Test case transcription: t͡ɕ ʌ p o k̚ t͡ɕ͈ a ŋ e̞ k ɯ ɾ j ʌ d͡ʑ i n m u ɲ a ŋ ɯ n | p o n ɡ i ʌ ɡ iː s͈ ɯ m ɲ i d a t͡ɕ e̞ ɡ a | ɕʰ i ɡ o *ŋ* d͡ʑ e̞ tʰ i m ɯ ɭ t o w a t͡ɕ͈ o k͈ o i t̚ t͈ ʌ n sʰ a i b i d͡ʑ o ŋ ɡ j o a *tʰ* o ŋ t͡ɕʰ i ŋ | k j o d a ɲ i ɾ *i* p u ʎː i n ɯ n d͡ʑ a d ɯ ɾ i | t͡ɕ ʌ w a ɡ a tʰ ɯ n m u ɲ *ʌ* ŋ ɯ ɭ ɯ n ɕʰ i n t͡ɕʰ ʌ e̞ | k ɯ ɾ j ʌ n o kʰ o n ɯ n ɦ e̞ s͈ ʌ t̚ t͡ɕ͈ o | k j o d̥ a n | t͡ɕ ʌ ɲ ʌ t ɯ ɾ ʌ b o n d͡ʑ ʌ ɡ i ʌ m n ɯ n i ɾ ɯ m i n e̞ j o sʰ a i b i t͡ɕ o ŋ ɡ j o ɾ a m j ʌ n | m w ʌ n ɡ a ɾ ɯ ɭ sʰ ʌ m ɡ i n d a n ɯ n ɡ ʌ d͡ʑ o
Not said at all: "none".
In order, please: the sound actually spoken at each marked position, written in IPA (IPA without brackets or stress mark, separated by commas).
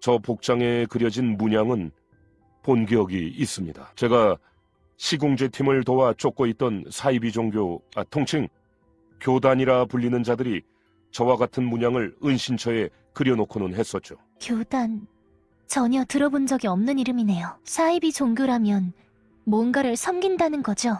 ŋ, tʰ, a, a